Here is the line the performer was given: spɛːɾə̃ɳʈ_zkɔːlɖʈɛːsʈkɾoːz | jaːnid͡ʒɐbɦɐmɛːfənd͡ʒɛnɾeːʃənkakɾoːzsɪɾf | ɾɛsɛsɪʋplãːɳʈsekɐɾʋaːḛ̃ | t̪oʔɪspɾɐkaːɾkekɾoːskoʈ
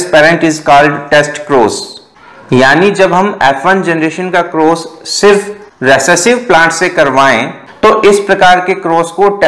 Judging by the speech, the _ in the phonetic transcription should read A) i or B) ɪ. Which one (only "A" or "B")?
B